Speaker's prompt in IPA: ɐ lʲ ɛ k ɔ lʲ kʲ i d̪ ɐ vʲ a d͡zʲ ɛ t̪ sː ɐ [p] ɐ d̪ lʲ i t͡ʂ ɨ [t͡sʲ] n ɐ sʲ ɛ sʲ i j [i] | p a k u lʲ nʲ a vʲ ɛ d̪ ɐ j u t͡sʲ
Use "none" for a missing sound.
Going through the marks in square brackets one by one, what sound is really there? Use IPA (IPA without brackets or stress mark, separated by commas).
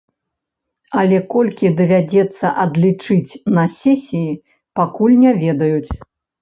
ʔ, t͡sʲ, i